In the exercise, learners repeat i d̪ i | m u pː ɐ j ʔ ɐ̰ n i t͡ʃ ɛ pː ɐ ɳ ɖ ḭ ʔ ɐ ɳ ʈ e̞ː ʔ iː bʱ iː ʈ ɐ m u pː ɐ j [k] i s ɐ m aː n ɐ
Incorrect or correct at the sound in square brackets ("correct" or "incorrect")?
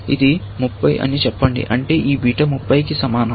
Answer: correct